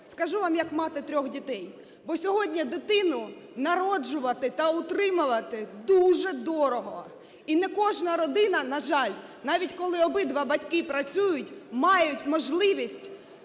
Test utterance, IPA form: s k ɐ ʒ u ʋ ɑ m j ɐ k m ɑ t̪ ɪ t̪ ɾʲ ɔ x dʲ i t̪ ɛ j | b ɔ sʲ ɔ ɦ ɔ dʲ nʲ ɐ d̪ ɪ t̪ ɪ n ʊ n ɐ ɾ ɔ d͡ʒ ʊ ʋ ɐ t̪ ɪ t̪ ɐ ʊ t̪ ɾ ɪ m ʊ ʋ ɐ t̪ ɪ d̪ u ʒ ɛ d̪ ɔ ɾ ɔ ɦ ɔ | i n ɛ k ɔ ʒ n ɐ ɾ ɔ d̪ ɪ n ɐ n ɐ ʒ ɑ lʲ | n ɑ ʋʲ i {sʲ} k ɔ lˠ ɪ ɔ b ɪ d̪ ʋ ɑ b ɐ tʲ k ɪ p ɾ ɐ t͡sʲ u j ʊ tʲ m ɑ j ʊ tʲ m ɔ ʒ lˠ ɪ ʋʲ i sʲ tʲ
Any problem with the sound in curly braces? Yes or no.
yes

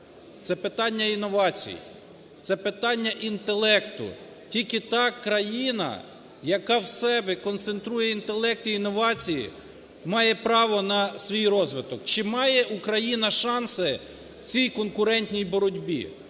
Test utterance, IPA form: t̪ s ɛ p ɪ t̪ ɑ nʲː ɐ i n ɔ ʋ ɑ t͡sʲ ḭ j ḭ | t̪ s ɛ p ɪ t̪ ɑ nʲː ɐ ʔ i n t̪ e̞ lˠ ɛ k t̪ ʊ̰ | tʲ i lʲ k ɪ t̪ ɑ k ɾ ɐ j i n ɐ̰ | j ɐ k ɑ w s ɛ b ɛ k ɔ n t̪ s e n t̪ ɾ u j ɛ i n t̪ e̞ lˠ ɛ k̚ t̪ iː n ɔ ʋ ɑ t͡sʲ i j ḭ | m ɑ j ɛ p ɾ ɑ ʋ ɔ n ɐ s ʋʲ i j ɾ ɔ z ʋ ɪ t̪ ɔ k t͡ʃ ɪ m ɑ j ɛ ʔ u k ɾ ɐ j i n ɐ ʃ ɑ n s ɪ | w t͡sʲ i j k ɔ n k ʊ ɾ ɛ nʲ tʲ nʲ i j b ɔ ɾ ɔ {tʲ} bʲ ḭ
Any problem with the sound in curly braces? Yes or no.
yes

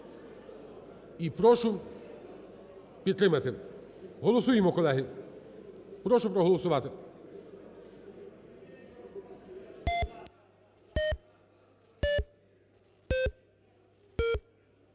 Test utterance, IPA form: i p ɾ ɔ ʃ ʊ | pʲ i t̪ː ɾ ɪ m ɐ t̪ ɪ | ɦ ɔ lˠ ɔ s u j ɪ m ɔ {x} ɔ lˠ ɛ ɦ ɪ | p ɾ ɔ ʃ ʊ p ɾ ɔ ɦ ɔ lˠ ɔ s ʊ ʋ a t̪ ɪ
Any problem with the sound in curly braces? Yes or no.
yes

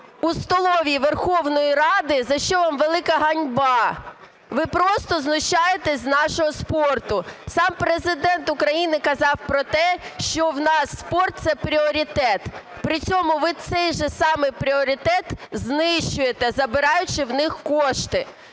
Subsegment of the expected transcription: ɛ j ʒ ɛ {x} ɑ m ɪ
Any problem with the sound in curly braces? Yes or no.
yes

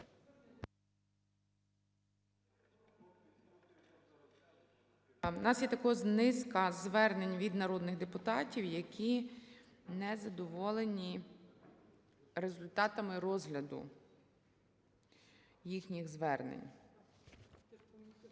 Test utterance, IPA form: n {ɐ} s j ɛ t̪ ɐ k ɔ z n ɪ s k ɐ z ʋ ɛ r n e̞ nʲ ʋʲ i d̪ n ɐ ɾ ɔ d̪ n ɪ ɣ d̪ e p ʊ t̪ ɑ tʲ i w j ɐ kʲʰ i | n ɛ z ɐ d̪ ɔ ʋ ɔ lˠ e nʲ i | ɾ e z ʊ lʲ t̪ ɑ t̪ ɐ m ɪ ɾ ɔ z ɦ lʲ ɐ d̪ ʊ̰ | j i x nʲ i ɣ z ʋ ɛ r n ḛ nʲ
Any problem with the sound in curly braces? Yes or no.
yes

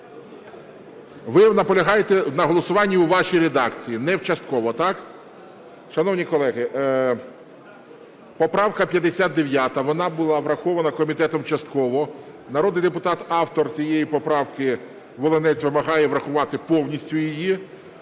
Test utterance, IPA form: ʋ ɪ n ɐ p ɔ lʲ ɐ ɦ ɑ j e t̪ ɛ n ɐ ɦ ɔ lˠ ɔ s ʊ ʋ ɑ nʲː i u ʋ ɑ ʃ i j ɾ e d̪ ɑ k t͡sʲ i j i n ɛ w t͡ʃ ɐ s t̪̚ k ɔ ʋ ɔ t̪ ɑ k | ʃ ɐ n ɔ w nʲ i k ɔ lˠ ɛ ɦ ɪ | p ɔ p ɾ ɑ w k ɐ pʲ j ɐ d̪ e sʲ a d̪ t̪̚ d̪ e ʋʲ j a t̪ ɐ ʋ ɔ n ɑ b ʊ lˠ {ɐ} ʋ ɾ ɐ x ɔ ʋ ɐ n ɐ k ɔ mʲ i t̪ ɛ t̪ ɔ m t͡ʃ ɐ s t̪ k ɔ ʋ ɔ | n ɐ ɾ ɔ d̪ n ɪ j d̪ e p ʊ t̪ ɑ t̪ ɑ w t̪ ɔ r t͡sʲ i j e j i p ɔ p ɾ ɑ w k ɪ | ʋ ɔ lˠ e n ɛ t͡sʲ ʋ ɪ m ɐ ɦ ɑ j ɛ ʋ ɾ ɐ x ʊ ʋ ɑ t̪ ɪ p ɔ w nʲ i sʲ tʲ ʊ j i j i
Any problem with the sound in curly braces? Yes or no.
yes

